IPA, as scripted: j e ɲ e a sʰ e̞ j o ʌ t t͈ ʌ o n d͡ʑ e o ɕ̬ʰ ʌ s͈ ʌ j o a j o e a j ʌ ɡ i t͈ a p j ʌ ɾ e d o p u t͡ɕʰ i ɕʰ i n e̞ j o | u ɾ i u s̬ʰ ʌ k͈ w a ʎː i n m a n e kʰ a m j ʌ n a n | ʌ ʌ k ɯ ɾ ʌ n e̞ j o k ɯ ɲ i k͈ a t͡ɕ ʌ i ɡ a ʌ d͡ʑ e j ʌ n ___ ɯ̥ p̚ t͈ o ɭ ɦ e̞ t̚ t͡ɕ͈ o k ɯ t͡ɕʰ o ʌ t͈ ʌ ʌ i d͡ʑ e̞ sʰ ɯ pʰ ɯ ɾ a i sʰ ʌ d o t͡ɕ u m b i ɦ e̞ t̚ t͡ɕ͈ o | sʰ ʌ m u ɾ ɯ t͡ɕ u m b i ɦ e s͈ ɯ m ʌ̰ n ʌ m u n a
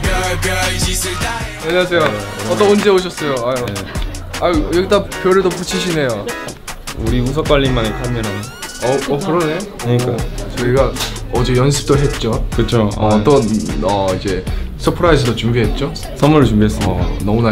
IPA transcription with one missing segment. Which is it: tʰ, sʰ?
sʰ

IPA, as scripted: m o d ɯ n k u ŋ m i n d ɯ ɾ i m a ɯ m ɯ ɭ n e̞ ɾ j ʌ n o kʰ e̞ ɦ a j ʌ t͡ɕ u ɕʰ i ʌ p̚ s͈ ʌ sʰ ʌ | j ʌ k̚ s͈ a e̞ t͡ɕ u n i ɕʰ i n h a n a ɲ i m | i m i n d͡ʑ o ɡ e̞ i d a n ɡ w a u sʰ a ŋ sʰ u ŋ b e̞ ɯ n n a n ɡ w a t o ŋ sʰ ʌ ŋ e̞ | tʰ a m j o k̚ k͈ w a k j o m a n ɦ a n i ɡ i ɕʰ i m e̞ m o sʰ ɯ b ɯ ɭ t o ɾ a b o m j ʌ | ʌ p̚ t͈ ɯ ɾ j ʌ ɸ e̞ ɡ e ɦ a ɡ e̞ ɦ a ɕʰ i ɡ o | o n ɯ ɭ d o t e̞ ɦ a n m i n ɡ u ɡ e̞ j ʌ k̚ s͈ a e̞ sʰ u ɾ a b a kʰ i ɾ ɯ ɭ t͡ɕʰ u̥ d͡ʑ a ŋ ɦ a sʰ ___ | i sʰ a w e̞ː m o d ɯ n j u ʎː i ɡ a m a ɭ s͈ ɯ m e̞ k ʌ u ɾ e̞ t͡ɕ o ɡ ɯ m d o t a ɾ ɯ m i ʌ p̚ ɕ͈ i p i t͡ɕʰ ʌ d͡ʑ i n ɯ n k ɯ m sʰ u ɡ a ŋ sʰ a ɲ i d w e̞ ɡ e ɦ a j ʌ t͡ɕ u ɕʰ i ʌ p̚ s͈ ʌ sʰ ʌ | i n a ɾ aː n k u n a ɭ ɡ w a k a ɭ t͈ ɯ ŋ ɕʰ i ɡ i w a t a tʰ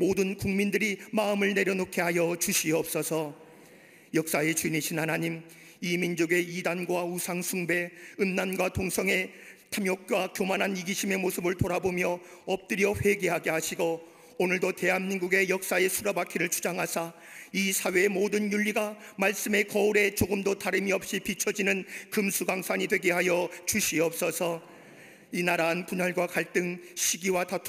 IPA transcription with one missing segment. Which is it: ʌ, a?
a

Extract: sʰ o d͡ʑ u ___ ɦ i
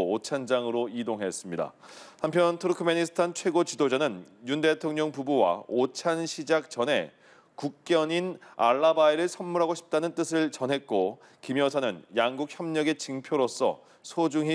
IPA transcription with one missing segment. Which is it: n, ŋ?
ŋ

